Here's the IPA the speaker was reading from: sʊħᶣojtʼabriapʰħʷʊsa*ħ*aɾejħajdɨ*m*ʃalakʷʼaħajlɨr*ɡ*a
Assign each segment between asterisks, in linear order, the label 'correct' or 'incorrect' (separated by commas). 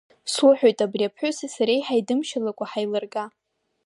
incorrect, correct, correct